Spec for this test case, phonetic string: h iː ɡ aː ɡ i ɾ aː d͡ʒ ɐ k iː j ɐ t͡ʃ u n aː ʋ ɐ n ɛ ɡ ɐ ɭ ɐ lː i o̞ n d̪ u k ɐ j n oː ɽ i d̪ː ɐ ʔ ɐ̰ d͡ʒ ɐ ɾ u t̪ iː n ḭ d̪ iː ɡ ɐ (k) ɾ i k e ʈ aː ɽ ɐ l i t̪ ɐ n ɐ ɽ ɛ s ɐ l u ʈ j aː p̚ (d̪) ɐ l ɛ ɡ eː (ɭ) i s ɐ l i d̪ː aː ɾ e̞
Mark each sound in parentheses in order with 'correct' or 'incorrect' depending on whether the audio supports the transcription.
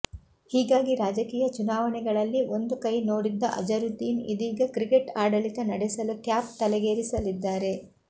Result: correct, incorrect, incorrect

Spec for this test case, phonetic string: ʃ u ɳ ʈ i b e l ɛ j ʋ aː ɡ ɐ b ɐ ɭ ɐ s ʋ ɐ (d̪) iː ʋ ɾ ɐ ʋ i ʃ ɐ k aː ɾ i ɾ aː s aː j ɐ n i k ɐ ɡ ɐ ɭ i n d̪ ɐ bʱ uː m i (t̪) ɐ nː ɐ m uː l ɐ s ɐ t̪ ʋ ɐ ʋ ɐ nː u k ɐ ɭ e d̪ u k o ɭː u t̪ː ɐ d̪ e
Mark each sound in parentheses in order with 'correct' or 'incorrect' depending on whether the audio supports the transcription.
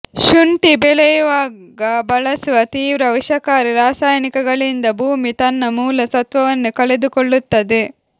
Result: incorrect, correct

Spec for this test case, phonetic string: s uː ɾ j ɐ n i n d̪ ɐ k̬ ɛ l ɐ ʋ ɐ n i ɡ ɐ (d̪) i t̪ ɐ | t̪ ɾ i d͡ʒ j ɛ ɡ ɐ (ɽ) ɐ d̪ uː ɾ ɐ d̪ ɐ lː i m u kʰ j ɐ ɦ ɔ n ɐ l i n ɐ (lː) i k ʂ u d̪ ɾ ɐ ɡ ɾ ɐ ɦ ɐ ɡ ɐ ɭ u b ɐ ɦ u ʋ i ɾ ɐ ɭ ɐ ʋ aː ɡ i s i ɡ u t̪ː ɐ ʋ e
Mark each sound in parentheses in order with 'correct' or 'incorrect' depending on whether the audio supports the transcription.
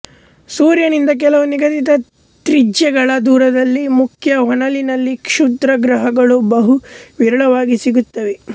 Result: incorrect, incorrect, correct

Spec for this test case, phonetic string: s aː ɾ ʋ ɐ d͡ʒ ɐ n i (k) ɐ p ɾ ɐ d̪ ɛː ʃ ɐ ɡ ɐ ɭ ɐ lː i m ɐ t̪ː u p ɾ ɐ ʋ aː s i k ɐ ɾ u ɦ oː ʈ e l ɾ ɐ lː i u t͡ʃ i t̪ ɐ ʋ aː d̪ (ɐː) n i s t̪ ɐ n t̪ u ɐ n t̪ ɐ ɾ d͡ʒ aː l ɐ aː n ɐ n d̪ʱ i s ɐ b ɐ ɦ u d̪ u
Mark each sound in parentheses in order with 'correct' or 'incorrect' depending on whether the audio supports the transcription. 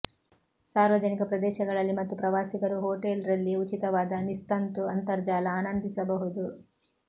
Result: correct, incorrect

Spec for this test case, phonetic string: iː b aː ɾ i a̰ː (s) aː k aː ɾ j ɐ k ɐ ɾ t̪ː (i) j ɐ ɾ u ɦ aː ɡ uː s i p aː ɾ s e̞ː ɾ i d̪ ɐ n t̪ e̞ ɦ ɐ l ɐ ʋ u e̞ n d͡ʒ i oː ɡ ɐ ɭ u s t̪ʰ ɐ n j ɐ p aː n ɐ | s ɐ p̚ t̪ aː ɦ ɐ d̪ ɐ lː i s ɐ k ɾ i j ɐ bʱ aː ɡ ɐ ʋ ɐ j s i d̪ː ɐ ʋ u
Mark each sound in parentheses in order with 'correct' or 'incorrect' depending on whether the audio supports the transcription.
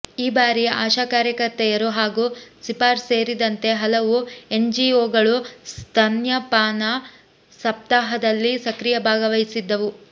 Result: incorrect, incorrect

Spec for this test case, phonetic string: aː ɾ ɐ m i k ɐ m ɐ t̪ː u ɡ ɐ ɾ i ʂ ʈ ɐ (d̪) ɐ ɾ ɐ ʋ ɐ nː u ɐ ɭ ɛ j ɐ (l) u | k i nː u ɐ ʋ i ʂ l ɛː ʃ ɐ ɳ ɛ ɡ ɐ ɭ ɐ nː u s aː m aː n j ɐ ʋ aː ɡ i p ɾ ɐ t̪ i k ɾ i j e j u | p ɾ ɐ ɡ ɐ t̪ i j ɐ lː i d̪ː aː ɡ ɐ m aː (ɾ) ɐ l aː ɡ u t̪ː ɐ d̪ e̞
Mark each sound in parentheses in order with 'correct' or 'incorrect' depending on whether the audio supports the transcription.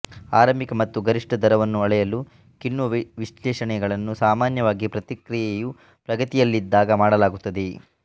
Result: correct, correct, incorrect

